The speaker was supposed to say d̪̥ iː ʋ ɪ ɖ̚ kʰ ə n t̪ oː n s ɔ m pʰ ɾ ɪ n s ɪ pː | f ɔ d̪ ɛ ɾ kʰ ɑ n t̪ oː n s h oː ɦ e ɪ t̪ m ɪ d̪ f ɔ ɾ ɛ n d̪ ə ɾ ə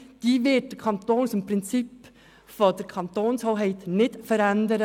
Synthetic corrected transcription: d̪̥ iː ʋ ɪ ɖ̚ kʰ ɑ n t̪ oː n s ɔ m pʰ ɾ ɪ n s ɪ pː | f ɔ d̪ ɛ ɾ kʰ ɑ n t̪ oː n s h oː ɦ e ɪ t̪ n ɪ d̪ f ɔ ɾ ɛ n d̪ ə ɾ ə